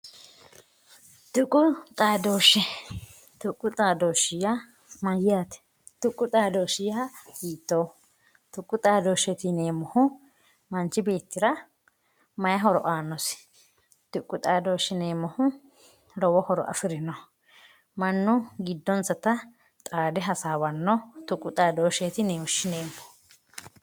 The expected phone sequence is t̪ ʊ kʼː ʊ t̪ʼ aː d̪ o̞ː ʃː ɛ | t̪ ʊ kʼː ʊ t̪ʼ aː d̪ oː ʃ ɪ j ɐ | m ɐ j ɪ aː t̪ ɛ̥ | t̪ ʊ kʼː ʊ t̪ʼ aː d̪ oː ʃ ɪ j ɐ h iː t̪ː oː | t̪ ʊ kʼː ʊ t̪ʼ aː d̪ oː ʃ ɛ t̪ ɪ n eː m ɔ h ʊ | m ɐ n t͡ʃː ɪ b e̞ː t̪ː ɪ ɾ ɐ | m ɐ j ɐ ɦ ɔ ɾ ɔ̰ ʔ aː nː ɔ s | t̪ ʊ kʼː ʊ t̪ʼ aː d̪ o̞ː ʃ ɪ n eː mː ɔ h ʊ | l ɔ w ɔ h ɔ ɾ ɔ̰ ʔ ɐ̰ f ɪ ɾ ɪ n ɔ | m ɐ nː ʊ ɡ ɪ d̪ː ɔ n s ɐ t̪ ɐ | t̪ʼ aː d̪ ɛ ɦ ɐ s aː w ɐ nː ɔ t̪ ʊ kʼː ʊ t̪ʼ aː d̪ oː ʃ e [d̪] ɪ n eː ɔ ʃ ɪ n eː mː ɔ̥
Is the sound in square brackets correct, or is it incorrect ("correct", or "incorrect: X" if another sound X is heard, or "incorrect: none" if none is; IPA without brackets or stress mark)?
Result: incorrect: t̪